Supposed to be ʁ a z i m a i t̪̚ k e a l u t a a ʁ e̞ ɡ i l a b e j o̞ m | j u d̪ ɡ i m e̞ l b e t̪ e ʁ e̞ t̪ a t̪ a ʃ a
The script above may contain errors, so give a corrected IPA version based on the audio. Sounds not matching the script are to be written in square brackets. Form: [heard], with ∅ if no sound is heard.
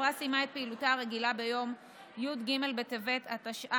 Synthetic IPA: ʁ a [s] i m a [e] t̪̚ [p] e [i] l u t a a ʁ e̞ ɡ i l a b e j o̞ m | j u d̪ ɡ i m e̞ l b e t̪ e [v] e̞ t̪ a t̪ a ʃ a